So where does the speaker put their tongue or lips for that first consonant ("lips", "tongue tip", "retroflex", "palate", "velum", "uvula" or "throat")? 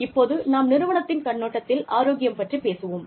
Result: lips